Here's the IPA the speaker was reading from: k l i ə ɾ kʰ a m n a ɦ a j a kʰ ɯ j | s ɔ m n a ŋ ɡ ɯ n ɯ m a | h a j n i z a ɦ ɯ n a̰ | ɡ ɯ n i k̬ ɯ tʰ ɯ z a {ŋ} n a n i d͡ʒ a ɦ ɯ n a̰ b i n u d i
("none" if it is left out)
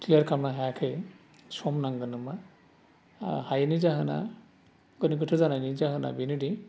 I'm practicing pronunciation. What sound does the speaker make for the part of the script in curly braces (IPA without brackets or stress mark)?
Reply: none